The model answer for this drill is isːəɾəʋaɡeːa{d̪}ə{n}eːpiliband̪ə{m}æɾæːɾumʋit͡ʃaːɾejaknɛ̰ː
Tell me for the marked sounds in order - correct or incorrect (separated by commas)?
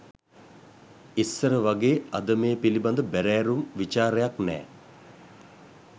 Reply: correct, incorrect, incorrect